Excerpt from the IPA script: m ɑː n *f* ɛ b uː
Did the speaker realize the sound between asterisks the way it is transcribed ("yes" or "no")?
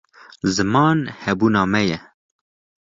no